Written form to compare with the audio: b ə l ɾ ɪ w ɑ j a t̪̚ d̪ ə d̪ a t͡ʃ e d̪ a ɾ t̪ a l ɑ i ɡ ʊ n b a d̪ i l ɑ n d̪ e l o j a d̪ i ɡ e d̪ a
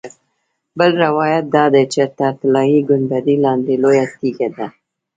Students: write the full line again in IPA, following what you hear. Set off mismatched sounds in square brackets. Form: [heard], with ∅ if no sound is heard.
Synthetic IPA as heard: b ə l ɾ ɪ w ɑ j a t̪̚ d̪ [ɑ] d̪ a t͡ʃ e [t̪] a ɾ t̪ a l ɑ i ɡ ʊ n b a d̪ i l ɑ n d̪ e l o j a [t̪] i ɡ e d̪ a